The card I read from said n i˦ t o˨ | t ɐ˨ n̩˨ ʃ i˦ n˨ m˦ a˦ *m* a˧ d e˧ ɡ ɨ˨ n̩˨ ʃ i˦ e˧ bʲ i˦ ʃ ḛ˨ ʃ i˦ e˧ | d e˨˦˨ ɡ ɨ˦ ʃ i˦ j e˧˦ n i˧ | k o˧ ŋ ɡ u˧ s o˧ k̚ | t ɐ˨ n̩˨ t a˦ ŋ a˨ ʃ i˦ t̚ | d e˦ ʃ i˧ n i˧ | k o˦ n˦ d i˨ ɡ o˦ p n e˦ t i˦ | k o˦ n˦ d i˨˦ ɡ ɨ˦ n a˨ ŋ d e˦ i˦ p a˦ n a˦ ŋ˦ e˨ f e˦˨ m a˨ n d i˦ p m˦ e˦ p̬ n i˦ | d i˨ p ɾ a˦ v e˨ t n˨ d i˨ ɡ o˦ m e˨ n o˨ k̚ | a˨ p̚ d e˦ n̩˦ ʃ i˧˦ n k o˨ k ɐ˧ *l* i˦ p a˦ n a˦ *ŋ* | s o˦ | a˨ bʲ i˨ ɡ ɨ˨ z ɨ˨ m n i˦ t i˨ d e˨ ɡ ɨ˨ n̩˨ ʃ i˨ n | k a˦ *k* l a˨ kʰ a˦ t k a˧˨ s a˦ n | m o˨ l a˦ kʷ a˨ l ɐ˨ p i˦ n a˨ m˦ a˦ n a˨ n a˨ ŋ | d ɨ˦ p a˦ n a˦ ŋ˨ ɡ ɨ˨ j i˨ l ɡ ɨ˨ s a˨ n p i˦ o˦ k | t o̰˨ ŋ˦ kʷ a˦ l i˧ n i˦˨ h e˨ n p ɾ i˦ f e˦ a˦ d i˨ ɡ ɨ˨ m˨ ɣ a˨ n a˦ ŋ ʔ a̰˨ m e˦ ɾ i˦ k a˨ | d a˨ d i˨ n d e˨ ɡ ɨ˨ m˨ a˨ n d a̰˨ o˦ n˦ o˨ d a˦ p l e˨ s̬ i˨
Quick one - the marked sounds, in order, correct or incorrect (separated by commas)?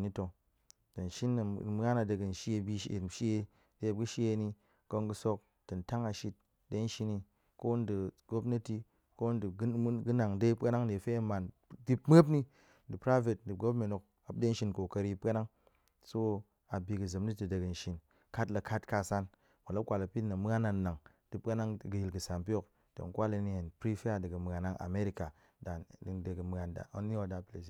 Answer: incorrect, incorrect, correct, incorrect